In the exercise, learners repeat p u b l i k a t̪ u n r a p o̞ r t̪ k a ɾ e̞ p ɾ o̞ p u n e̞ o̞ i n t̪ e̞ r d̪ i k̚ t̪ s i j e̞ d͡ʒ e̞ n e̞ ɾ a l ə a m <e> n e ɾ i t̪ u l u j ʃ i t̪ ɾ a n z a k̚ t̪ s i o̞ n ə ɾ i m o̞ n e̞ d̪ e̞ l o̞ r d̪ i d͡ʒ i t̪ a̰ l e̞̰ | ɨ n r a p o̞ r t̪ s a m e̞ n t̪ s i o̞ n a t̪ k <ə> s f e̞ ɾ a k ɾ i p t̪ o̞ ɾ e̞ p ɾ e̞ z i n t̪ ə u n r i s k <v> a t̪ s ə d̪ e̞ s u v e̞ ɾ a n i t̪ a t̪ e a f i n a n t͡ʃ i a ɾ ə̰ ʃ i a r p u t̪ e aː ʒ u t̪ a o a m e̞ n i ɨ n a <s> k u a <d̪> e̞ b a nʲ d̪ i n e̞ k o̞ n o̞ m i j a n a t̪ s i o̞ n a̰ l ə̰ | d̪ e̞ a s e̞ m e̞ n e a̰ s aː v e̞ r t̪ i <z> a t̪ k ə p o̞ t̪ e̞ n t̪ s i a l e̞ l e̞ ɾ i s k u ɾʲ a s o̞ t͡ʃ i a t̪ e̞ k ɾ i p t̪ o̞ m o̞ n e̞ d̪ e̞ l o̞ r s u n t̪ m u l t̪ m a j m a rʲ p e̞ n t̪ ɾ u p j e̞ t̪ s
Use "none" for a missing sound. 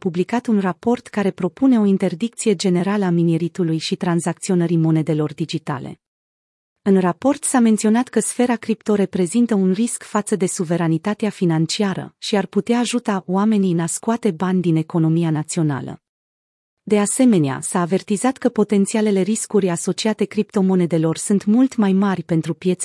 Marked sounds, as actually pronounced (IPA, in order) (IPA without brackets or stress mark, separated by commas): i, ə, f, s, t̪, z